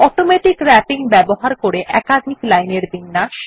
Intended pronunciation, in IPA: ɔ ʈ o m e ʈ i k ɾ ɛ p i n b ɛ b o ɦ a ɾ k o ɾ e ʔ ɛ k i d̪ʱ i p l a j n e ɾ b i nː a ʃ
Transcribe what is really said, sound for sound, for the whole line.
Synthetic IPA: ɔ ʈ o m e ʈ i k ɾ ɛ p i ŋ b ɛ b o ɦ a ɾ k o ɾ e ʔ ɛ k a d̪ʱ i k l a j n e ɾ b i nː a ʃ

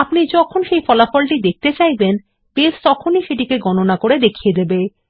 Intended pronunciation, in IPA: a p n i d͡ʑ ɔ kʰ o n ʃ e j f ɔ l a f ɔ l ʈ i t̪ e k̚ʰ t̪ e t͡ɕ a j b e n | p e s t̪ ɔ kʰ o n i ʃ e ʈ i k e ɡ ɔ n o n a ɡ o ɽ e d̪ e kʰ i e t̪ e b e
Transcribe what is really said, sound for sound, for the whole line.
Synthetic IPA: a p n i d͡ʑ ɔ kʰ o n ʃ e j f ɔ l a f ɔ l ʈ i d̪ e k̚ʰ t̪ e t͡ɕ a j b e n | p e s t̪ ɔ kʰ o n i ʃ e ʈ i k e ɡ ɔ n o n a k o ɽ e d̪ e kʰ i e d̪ e b e

